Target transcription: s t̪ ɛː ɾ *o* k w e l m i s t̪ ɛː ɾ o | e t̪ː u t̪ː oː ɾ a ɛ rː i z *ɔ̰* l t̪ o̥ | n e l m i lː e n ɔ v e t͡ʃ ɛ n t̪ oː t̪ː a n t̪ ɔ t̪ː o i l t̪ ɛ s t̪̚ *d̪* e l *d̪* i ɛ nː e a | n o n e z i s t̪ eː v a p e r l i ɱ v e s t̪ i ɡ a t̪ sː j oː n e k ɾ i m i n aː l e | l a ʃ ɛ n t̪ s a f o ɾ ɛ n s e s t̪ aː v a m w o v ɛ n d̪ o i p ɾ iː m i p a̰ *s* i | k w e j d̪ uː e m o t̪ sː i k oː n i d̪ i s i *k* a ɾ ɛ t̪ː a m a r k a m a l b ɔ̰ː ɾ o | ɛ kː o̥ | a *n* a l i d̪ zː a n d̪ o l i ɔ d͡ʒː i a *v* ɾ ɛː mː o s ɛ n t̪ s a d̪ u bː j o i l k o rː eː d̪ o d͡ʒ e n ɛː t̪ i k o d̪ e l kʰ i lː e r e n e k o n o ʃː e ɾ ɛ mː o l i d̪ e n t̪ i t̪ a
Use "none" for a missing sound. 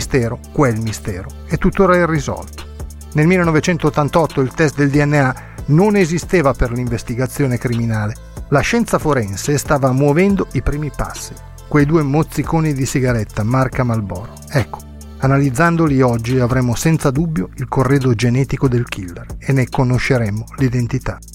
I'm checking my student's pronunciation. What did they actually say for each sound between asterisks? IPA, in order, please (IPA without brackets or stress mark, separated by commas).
o, ɔ̰, d̪, d̪, sː, ɡ, n, v